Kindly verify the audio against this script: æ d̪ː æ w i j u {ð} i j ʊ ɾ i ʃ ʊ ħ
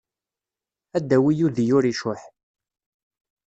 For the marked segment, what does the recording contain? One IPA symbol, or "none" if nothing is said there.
ð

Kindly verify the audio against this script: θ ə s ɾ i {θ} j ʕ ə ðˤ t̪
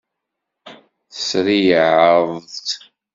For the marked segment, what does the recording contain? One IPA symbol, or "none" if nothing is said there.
none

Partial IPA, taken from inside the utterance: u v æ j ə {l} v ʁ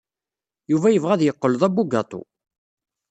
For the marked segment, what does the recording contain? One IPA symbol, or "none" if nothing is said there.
none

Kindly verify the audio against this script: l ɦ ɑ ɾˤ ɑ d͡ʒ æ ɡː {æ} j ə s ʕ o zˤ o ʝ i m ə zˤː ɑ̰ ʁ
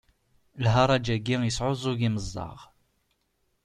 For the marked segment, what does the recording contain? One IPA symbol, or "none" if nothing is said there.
i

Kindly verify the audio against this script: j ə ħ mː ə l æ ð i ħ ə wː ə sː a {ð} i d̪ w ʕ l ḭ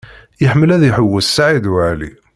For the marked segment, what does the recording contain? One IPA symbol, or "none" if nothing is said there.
ʕ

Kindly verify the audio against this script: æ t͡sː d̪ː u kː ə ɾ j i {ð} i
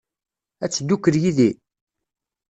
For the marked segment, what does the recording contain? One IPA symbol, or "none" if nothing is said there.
ð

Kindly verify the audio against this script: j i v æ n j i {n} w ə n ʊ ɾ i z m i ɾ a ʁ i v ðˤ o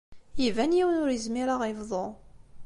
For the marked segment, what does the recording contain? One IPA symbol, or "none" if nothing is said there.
none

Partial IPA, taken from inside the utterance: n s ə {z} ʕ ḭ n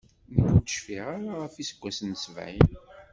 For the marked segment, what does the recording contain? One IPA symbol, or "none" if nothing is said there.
v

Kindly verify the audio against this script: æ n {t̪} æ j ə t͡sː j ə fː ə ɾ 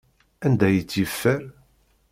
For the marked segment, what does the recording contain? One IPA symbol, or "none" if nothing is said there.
d̪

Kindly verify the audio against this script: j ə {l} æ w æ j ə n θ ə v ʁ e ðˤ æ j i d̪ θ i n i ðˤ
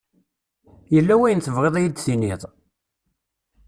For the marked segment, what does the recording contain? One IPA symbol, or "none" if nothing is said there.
lː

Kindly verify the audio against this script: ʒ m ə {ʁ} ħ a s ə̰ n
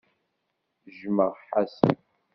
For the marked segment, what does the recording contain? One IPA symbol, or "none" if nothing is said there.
ʁ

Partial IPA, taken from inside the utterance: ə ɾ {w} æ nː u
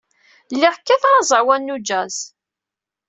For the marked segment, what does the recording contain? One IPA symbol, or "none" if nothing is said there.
w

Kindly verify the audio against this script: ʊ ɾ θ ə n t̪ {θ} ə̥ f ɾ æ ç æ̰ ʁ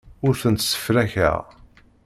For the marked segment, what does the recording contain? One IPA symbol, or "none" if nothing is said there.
s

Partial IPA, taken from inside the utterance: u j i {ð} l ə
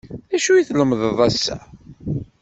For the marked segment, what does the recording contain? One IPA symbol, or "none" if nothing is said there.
θ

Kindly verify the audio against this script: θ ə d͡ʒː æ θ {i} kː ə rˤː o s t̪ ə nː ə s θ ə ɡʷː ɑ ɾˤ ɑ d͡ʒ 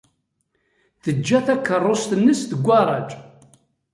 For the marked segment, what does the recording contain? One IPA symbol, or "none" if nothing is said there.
æ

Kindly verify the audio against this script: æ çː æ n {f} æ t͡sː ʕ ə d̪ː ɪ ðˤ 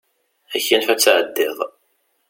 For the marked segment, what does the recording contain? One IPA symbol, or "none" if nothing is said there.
f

